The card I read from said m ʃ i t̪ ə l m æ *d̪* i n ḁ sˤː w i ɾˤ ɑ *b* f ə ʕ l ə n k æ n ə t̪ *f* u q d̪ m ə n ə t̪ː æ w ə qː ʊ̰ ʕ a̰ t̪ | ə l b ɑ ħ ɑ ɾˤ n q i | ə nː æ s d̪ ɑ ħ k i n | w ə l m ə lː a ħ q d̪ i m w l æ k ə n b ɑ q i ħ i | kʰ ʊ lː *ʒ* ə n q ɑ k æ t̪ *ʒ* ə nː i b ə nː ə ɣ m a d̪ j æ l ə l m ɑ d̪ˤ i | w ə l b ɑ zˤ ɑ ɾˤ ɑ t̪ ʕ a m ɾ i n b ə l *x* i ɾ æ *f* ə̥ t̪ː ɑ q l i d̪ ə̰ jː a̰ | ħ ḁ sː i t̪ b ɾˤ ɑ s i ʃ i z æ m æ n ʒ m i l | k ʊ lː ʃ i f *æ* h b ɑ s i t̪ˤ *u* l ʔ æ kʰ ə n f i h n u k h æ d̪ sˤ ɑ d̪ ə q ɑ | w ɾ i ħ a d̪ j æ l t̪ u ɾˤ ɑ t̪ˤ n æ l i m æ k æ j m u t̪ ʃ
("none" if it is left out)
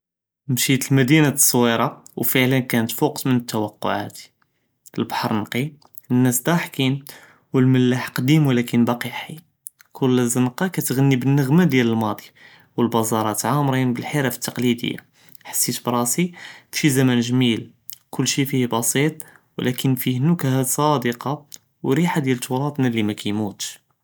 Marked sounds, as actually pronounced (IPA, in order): d̪, w, f, z, ɣ, ħ, f, i, w

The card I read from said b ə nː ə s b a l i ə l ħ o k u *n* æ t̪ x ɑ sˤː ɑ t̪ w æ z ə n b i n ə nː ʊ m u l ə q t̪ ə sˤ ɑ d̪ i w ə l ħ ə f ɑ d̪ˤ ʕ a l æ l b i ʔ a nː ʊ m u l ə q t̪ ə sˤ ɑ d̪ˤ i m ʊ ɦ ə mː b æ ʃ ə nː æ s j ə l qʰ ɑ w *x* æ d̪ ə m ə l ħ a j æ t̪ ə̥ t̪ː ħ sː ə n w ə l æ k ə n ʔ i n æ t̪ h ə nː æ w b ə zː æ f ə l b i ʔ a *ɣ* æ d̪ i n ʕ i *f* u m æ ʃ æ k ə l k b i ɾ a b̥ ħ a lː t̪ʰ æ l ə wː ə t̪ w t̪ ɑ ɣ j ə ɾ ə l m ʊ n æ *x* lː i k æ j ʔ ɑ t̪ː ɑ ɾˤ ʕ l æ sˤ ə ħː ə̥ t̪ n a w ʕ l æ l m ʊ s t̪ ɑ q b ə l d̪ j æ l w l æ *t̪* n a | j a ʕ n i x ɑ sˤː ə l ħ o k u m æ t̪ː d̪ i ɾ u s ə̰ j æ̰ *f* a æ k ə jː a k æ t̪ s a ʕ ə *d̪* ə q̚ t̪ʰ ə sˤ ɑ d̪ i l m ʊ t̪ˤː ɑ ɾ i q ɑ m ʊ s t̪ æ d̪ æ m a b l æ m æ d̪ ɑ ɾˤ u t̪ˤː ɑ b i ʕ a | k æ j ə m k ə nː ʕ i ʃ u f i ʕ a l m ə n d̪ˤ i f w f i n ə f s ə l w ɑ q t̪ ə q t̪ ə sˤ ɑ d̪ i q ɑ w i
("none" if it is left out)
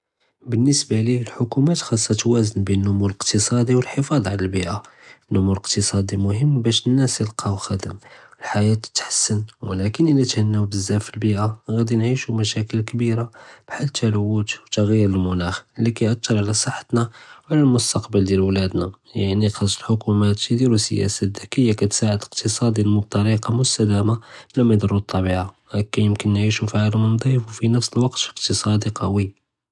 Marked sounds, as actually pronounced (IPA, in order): m, x, ɣ, ʃ, x, d̪, s, d̪

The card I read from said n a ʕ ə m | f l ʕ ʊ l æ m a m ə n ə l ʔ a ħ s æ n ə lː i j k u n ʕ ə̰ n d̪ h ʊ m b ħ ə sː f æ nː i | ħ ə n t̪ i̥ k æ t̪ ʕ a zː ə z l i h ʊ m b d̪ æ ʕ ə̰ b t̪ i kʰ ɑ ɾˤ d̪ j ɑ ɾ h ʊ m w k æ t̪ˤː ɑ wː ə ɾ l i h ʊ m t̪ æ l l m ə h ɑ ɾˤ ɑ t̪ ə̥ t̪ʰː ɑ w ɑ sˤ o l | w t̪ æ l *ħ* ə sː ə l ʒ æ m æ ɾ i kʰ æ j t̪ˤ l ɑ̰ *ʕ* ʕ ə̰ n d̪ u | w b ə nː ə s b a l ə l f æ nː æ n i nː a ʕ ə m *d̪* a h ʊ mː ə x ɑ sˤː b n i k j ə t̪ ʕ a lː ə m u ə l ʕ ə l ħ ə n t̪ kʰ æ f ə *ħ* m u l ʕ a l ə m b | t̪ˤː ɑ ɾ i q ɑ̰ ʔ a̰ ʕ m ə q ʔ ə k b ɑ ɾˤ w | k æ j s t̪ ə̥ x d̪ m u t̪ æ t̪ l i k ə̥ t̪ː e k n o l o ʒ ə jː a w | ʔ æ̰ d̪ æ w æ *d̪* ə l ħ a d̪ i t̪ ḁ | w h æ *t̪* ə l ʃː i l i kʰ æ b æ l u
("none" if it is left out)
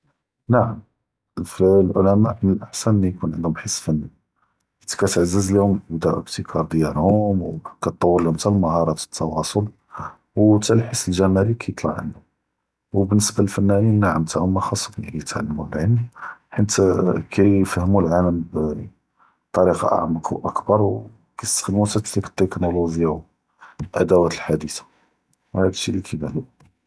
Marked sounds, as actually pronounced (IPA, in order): ħ, ʕ, t̪, h, t̪, d̪

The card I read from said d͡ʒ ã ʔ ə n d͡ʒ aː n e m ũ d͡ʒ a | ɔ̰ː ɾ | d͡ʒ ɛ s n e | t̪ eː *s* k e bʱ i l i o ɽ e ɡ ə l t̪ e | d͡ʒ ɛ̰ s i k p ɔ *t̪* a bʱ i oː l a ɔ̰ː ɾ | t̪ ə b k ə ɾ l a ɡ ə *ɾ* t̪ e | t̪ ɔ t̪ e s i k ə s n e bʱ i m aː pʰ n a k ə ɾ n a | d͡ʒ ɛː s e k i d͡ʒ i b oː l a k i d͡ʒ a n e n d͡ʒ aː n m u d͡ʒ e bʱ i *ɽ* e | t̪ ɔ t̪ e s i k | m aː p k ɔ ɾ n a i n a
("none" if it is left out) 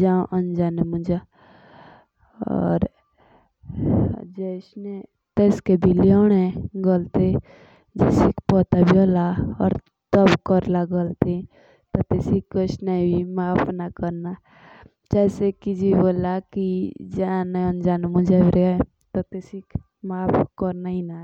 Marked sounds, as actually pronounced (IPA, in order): s, t̪, l, ɾ

